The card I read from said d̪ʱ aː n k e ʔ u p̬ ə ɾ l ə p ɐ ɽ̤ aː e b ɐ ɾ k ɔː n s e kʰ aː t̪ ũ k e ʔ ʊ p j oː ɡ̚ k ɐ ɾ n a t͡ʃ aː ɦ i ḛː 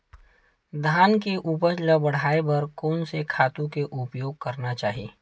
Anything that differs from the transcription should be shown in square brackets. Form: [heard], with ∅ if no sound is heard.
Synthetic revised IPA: d̪ʱ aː n k e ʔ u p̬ ə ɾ l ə [b] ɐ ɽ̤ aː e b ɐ ɾ k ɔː n s e kʰ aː t̪ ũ k e ʔ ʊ p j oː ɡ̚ k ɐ ɾ n a t͡ʃ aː ɦ i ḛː